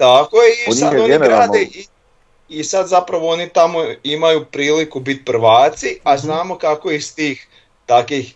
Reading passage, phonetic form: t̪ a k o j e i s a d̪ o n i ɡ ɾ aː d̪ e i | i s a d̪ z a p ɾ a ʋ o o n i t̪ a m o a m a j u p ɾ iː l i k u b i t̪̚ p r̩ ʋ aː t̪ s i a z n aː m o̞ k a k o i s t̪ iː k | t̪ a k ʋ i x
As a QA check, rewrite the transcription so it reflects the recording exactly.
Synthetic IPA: t̪ a k o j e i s a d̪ o n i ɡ ɾ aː d̪ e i | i s a d̪ z a p ɾ a ʋ o o n i t̪ a m o i m a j u p ɾ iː l i k u b i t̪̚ p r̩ ʋ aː t̪ s i a z n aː m o̞ k a k o i s t̪ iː x | t̪ a k ʋ i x